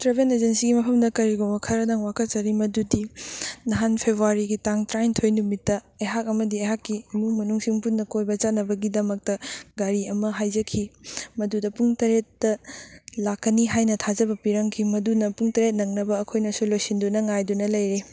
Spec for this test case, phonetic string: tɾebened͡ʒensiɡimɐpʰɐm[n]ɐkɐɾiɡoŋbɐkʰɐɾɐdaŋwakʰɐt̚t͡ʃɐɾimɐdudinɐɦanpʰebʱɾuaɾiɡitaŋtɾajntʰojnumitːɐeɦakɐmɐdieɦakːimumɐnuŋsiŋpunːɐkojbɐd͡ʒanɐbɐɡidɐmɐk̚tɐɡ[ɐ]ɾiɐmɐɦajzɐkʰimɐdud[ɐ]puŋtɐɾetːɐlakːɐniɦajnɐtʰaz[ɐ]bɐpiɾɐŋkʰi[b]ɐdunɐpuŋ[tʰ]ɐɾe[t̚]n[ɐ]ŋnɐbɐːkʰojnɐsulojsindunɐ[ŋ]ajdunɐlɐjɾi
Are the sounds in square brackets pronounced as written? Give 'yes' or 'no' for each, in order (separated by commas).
no, no, yes, yes, no, no, yes, yes, yes